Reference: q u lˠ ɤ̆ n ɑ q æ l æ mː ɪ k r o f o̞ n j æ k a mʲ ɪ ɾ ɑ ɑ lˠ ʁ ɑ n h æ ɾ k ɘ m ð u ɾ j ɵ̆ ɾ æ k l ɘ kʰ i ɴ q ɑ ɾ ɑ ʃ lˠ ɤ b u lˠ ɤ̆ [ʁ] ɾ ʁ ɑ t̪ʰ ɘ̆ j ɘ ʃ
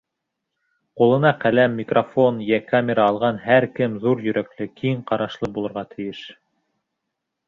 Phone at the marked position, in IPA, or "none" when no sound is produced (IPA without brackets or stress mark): none